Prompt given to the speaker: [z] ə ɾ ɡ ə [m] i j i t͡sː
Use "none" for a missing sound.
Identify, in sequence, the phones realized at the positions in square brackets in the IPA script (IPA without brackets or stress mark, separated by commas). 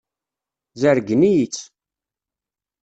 z, n